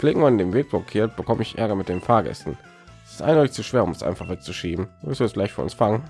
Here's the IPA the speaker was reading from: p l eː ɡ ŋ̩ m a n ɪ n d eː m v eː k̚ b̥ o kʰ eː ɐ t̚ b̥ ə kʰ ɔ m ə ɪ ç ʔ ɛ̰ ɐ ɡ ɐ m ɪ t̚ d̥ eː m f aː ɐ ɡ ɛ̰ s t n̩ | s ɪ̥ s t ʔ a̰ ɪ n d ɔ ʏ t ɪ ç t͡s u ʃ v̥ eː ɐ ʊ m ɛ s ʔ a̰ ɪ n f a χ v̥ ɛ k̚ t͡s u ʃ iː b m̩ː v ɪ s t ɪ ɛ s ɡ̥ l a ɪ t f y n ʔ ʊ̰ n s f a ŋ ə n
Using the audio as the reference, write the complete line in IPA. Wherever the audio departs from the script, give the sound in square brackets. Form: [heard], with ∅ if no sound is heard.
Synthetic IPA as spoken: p l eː ɡ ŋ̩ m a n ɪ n d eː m v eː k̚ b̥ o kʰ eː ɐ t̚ b̥ ə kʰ ɔ m ə ɪ ç ʔ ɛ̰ ɐ ɡ ɐ m ɪ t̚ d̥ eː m f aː ɐ ɡ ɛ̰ s t n̩ | s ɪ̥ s t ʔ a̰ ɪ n d ɔ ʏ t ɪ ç t͡s u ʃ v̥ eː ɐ ʊ m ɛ s ʔ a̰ ɪ n f a χ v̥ ɛ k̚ t͡s u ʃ iː b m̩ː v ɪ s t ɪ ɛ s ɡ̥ l a ɪ t f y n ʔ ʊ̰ n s f a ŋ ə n